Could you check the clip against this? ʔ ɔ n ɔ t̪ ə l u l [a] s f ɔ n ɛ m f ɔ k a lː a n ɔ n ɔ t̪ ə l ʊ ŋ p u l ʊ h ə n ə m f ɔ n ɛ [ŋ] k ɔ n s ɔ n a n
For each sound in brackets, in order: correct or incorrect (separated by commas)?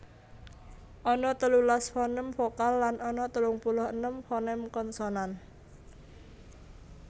correct, incorrect